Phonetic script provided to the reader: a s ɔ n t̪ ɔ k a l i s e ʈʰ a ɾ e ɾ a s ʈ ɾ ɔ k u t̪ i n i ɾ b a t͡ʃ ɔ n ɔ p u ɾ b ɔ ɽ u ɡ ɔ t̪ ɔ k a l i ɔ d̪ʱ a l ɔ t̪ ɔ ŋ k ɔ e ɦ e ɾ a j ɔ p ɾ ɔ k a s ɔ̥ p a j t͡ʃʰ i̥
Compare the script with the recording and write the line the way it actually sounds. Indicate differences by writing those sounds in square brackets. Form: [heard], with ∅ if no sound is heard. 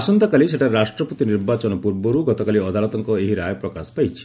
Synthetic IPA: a s ɔ n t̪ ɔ k a l i s e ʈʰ a ɾ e ɾ a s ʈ ɾ ɔ [p] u t̪ i n i ɾ b a t͡ʃ ɔ n ɔ p u ɾ b ɔ [ɾ] u ɡ ɔ t̪ ɔ k a l i ɔ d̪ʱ a l ɔ t̪ ɔ ŋ k ɔ e ɦ [i] ɾ a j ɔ p ɾ ɔ k a s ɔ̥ p a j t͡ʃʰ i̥